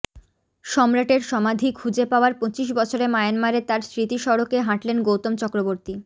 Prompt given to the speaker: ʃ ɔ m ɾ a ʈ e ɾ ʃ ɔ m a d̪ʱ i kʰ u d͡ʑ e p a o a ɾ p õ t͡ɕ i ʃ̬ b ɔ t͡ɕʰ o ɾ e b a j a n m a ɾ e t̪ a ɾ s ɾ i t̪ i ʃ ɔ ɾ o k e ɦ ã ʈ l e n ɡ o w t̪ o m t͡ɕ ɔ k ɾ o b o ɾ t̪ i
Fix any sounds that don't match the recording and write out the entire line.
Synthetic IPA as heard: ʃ ɔ m ɾ a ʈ e ɾ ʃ ɔ m a d̪ʱ i kʰ u d͡ʑ e p a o a ɾ p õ t͡ɕ i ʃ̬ b ɔ t͡ɕʰ o ɾ e m a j a n m a ɾ e t̪ a ɾ s ɾ i t̪ i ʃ ɔ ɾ o k e ɦ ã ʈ l e n ɡ o w t̪ o m t͡ɕ ɔ k ɾ o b o ɾ t̪ i